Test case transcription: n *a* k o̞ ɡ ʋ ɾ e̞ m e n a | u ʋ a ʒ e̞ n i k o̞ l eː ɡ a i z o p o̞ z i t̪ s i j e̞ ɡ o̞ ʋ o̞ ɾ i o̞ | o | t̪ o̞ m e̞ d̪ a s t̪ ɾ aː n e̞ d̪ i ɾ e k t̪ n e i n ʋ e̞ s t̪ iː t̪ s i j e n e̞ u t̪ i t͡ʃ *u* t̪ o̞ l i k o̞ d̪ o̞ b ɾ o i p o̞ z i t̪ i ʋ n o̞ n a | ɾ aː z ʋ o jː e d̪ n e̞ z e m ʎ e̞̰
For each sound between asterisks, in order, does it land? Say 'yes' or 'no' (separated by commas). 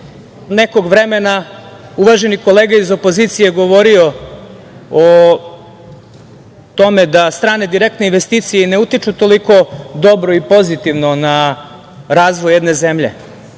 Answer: no, yes